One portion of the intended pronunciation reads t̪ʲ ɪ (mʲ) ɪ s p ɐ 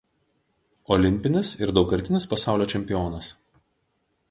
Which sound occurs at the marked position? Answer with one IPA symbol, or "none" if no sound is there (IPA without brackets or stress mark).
nʲ